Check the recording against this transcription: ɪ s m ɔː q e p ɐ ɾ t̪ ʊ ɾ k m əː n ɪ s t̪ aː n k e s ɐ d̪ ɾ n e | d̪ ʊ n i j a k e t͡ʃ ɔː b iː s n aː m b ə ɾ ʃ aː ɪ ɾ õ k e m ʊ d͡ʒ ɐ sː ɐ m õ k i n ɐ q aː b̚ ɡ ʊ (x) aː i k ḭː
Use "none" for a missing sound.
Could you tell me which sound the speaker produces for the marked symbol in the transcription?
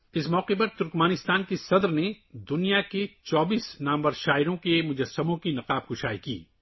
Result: ʃ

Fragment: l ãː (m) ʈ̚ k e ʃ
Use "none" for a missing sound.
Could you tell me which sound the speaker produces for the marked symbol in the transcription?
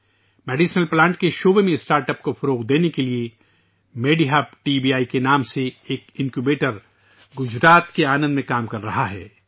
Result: ɳ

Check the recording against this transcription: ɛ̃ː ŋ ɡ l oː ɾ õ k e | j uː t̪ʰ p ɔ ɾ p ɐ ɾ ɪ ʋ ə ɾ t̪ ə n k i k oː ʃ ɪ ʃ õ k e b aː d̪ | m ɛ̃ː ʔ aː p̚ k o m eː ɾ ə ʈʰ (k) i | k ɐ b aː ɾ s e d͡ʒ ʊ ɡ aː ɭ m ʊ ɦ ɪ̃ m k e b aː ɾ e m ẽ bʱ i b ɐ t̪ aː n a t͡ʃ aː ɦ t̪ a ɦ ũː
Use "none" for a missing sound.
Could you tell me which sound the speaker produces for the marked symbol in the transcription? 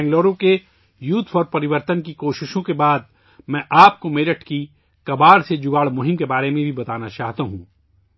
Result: k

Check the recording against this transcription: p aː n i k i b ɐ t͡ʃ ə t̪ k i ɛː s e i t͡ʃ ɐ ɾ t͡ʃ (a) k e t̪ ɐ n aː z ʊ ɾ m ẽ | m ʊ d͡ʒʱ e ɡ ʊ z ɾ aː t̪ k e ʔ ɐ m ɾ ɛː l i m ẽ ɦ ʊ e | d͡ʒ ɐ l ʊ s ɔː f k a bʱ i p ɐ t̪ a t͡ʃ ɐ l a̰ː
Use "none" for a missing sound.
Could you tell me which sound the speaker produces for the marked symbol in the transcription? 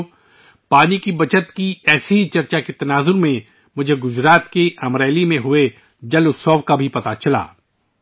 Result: a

